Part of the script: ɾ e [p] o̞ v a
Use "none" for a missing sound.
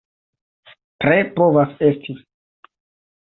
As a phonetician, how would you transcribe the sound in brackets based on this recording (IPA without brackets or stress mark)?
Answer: p